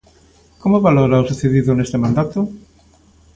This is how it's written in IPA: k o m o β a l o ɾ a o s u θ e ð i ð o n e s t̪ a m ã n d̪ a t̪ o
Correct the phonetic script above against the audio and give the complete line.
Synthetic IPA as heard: k o m o β a l o ɾ a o s u θ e ð i ð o n e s t̪ e m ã n d̪ a t̪ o